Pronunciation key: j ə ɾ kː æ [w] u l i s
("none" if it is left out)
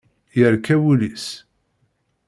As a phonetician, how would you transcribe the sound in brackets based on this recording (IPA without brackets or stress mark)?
w